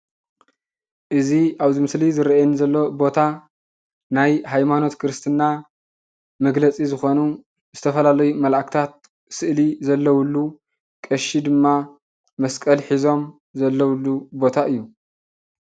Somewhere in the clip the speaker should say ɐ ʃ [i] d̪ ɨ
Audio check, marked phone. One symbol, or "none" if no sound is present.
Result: i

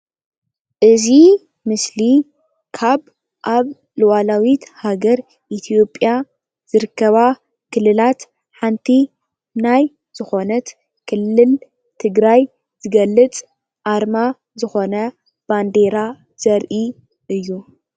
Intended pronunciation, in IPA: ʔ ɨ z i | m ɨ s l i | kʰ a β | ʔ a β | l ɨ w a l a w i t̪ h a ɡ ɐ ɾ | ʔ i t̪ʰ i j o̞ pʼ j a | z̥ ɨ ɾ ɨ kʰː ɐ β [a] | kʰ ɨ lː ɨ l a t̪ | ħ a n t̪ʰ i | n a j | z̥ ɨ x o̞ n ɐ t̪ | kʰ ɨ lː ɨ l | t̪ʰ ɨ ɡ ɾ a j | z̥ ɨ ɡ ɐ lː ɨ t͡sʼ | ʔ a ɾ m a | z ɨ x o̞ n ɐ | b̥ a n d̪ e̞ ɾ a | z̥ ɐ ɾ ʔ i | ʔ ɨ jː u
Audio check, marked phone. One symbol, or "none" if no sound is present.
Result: a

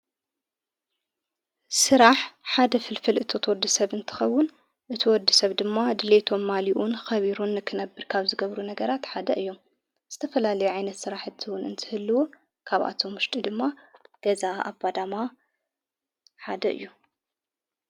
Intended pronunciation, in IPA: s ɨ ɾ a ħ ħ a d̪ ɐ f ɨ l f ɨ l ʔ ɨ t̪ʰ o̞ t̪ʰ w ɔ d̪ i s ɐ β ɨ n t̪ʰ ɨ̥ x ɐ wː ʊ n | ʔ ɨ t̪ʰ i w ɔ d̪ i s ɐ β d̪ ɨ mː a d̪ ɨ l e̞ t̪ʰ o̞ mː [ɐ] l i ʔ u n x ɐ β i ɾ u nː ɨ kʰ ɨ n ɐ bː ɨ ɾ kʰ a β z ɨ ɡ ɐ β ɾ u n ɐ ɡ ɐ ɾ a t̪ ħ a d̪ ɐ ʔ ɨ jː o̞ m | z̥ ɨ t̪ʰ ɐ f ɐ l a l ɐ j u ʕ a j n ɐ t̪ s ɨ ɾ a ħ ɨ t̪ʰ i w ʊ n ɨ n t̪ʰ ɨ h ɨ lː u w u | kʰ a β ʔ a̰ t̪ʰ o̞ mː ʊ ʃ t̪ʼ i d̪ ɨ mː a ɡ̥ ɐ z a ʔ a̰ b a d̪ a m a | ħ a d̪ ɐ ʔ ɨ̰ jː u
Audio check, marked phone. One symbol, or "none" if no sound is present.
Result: a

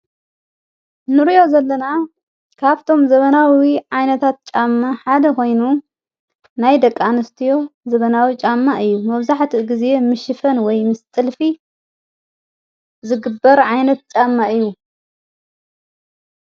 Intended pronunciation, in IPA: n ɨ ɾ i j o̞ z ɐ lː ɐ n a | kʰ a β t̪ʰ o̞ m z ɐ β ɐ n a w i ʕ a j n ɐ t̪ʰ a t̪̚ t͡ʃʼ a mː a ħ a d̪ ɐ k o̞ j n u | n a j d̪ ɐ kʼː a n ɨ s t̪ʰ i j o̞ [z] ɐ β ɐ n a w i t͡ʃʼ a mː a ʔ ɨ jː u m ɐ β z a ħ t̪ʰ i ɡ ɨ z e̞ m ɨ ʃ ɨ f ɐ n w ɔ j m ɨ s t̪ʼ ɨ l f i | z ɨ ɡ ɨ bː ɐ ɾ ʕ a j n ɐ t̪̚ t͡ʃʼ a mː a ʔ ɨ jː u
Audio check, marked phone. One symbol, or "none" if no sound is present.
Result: z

